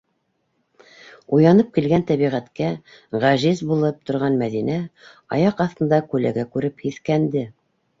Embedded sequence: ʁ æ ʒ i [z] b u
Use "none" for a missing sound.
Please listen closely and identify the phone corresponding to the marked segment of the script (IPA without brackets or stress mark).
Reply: z